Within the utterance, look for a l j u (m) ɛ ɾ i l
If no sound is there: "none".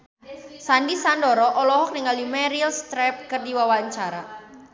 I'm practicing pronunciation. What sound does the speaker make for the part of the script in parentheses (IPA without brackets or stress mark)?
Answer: m